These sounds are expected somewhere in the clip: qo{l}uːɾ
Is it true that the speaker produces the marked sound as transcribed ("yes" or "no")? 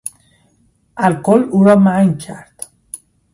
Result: yes